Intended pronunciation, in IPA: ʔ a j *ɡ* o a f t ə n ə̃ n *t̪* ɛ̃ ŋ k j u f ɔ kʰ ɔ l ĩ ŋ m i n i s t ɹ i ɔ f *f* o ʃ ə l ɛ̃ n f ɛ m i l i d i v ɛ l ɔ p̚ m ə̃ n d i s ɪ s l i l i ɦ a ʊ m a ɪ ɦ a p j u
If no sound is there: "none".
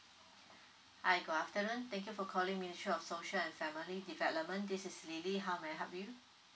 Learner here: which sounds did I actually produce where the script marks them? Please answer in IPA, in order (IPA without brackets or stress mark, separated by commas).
ɡ, t̪, s